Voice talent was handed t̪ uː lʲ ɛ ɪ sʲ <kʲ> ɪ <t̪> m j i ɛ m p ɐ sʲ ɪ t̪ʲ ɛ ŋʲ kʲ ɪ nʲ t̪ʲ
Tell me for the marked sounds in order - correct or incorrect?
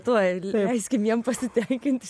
correct, incorrect: none

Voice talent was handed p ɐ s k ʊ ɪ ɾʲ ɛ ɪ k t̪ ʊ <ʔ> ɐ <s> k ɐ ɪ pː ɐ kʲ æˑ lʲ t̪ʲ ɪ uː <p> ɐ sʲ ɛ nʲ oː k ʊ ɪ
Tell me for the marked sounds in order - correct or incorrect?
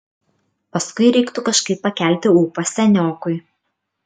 incorrect: k, incorrect: ʃ, correct

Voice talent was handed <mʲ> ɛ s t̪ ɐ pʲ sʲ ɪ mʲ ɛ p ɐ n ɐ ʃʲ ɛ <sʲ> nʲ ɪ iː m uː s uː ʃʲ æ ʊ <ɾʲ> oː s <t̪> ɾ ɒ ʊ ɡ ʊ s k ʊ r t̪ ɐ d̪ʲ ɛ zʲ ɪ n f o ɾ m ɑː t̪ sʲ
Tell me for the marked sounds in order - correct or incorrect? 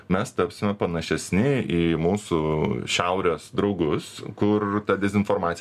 correct, correct, correct, incorrect: d̪

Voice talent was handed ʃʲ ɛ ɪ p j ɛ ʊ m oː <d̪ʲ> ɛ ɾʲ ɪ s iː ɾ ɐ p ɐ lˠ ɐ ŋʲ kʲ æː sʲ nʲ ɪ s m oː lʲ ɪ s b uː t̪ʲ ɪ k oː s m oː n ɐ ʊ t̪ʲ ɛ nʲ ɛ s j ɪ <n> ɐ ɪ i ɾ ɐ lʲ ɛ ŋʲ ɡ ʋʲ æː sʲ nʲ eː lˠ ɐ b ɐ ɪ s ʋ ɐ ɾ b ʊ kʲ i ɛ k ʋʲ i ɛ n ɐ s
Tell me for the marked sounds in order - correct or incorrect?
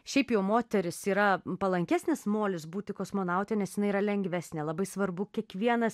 incorrect: t̪ʲ, correct

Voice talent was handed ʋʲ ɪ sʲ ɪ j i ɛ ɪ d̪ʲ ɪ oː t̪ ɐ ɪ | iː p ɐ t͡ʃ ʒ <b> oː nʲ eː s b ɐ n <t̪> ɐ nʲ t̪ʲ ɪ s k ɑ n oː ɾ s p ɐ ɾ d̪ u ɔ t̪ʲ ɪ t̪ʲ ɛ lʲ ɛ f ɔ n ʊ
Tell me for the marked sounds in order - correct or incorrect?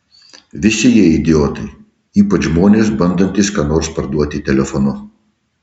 incorrect: m, incorrect: d̪

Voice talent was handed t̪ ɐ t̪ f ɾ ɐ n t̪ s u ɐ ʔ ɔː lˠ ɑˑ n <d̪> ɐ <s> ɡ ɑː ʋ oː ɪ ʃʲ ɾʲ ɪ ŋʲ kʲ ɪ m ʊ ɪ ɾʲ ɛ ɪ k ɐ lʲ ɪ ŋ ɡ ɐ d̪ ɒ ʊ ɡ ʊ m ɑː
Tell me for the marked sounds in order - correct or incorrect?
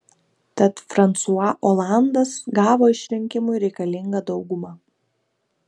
correct, correct

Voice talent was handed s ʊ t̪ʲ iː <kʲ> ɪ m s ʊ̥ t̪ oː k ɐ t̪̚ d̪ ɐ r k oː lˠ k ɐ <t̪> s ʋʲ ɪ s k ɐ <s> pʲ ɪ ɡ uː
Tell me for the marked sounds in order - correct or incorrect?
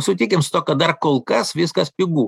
correct, incorrect: none, correct

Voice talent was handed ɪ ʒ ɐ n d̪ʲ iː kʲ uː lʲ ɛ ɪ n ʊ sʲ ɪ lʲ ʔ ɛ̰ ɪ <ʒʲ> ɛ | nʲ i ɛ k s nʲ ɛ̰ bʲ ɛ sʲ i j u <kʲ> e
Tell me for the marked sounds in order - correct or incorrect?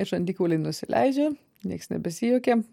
incorrect: d͡ʒʲ, correct

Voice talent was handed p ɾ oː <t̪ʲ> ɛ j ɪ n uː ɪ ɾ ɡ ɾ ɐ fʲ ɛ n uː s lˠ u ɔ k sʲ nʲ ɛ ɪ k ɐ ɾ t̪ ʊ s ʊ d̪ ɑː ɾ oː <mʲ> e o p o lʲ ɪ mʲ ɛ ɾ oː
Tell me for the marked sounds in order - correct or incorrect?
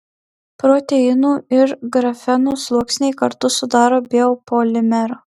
correct, incorrect: bʲ

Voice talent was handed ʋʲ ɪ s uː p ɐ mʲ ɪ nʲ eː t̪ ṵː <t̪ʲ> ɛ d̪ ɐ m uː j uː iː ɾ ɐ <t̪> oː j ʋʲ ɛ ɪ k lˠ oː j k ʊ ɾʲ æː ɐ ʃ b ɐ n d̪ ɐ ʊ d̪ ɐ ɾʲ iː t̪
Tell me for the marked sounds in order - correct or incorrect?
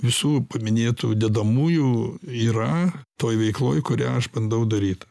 incorrect: d̪ʲ, correct

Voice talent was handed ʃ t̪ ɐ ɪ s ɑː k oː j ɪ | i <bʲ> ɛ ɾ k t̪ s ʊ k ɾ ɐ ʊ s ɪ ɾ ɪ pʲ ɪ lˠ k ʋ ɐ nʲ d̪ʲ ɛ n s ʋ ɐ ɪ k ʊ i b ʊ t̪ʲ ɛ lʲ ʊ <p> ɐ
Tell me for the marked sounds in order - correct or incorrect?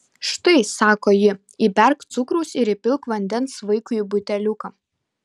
correct, incorrect: k

